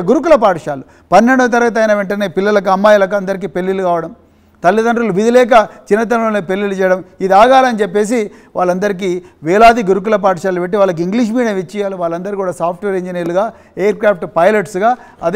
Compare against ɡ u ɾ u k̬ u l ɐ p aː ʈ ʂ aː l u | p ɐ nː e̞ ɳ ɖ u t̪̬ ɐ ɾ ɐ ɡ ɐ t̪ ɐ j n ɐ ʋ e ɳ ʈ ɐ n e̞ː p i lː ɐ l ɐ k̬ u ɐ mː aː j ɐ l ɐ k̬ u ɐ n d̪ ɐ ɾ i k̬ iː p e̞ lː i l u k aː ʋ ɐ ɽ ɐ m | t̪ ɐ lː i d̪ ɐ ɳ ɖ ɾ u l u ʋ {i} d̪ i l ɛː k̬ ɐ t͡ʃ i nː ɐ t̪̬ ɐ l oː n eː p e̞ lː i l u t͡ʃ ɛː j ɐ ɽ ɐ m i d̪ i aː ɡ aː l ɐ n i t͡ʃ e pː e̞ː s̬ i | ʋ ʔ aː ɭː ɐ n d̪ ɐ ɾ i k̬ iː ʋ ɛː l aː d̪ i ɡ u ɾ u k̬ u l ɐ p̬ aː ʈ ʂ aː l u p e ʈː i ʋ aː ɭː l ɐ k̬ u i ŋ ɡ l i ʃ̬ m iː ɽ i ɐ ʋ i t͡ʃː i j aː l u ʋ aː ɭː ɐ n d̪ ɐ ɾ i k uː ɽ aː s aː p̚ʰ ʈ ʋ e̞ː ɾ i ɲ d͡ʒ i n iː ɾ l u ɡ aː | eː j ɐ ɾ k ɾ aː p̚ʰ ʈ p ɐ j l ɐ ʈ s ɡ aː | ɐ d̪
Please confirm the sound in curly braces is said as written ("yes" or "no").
yes